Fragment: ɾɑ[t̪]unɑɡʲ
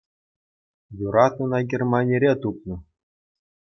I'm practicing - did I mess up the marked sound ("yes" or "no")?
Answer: no